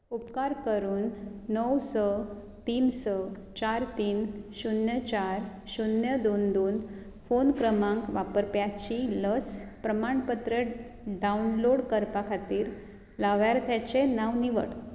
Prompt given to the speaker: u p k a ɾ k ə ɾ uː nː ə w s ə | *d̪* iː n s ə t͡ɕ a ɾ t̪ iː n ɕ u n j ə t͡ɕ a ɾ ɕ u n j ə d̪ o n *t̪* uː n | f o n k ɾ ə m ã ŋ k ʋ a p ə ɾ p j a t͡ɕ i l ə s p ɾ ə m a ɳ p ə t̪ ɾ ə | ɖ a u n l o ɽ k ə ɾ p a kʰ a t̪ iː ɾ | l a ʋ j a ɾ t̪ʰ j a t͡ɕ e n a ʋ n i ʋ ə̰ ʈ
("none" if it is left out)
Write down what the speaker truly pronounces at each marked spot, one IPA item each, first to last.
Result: t̪, d̪

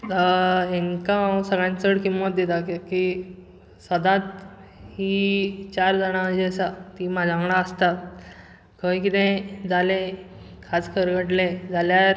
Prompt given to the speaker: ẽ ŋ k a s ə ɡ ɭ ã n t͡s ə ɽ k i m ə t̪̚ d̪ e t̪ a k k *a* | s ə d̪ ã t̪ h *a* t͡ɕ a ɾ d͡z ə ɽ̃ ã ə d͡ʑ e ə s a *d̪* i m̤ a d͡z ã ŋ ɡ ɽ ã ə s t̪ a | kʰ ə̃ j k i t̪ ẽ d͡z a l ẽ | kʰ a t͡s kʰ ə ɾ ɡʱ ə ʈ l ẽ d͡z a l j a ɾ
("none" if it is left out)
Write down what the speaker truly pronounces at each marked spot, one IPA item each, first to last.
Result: i, i, t̪

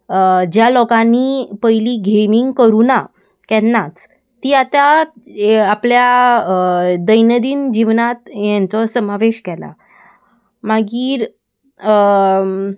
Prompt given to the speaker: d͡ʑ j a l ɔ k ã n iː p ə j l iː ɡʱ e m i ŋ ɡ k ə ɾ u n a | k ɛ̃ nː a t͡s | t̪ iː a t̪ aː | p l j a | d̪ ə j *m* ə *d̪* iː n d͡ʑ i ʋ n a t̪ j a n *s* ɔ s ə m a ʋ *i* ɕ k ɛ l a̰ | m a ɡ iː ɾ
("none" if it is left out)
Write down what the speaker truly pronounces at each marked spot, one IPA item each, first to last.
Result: n, d̪, t͡s, e

